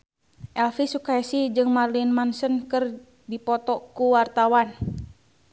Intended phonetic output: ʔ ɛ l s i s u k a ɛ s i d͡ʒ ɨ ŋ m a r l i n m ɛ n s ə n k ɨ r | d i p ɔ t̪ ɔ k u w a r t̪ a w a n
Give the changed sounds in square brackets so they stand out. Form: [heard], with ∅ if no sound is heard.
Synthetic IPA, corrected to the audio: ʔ ɛ l [f] i s u k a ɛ s i d͡ʒ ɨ ŋ m a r l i n m [a] n s ə n k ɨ r | d i p ɔ t̪ ɔ k u w a r t̪ a w a n